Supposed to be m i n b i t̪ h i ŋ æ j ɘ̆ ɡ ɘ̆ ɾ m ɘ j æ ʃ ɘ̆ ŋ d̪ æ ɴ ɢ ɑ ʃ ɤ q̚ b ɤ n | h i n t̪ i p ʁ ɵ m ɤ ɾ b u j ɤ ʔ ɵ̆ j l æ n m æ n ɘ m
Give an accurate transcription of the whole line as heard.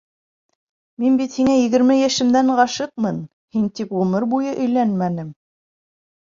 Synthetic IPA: m i n b i t̪ h i ŋ æ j ɘ̆ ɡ ɘ̆ ɾ m ɘ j æ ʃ ɘ̆ m d̪ æ ɴ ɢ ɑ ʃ ɤ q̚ m ɤ n | h i n t̪ i p ʁ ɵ m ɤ ɾ b u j ɤ ʔ ɵ̆ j l æ n m æ n ɘ m